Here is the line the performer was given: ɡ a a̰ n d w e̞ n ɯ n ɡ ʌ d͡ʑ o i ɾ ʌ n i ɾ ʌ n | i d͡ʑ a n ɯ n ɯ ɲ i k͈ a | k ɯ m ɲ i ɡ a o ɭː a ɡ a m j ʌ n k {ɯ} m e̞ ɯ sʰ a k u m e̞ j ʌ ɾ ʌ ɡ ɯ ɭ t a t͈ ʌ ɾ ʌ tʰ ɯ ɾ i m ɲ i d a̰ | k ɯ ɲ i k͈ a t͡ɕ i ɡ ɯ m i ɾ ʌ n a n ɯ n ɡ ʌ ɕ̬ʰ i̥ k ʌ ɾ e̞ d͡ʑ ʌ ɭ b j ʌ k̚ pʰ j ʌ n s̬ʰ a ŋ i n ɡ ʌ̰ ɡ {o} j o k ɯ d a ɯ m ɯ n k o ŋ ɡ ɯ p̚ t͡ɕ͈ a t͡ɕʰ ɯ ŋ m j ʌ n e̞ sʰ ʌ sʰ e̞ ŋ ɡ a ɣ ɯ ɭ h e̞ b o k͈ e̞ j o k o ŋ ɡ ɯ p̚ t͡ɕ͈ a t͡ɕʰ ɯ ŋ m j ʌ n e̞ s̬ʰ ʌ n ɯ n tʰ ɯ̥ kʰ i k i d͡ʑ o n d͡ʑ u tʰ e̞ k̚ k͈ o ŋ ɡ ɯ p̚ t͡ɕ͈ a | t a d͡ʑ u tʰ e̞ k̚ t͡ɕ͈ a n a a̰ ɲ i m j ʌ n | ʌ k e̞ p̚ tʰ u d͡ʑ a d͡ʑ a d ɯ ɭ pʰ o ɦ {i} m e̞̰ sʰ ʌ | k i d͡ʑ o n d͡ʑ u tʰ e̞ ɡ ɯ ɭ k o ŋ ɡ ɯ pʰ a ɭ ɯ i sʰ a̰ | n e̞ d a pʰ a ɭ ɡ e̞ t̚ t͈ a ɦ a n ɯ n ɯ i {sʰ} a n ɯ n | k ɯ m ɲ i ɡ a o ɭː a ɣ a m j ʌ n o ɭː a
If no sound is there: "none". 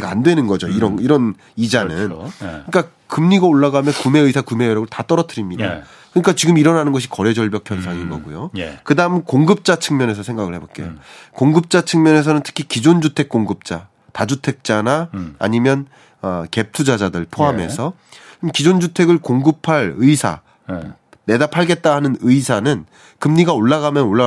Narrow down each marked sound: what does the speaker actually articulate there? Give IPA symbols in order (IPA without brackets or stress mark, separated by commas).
u, u, a, sʰ